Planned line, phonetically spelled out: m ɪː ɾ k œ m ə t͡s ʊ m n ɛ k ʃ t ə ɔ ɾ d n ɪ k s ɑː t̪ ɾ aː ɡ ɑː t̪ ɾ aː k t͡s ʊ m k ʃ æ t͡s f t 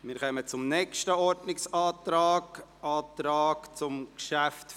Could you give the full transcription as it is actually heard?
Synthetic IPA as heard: m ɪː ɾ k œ m ə t͡s ʊ m n ɛ k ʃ t ə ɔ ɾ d n ɪ k s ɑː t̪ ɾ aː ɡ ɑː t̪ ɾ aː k t͡s ʊ m k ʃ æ f t